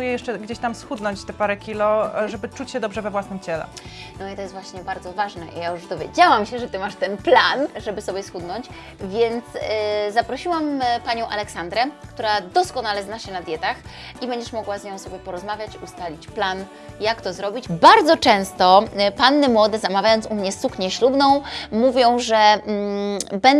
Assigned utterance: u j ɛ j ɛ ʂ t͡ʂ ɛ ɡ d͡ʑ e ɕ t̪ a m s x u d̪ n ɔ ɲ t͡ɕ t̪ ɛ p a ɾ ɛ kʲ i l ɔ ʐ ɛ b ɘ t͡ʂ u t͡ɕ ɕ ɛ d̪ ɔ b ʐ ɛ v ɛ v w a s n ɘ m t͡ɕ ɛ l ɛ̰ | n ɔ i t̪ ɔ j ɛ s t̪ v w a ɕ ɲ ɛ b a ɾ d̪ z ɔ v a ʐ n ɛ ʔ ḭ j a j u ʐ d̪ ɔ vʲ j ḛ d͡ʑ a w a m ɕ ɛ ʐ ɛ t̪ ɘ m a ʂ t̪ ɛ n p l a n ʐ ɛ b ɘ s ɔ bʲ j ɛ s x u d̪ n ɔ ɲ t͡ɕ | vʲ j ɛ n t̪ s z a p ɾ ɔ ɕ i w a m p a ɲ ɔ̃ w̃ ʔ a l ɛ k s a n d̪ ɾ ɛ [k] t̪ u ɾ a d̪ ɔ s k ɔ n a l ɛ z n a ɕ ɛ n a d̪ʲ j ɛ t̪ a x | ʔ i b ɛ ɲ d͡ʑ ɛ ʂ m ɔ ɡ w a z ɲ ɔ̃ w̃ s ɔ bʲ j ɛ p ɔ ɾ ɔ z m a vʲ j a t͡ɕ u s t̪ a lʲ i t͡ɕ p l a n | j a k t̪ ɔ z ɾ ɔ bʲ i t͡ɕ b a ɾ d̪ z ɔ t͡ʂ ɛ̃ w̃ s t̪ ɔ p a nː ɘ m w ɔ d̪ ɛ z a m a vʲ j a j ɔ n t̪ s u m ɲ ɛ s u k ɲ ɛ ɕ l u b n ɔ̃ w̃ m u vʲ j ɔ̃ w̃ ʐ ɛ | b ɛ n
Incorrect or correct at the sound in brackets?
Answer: correct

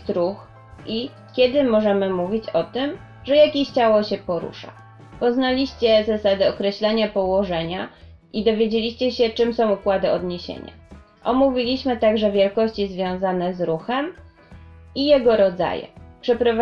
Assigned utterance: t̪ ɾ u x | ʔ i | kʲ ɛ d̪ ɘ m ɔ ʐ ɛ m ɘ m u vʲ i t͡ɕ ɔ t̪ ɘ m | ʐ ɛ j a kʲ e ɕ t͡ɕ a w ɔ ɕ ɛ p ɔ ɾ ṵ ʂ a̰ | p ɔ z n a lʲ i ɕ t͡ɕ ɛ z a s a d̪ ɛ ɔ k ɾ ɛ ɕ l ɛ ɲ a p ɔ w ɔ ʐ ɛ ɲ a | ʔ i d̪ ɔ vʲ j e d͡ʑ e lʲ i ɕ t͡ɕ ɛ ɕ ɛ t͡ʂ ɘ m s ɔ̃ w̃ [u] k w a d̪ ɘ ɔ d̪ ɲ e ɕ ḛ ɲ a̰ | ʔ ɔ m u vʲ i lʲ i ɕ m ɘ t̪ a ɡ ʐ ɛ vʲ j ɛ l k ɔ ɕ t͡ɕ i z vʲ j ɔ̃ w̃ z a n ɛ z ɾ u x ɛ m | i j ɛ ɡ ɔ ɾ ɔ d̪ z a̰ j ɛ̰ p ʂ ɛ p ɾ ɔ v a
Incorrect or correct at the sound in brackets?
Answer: correct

